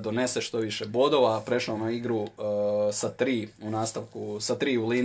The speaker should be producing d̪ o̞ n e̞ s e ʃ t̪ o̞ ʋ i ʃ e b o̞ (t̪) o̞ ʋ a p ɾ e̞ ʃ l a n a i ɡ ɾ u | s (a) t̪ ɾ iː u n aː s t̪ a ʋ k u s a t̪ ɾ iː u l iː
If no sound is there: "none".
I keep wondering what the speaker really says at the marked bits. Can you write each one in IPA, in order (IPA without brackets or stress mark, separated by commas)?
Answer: d̪, a